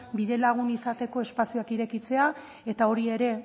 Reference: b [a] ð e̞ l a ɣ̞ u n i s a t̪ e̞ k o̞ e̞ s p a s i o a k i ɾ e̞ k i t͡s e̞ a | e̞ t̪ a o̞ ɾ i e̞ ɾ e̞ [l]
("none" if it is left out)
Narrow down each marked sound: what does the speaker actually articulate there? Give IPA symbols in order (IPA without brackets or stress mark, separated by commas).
i, none